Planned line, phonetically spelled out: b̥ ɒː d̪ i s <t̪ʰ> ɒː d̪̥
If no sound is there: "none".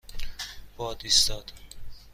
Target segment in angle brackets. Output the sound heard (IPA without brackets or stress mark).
t̪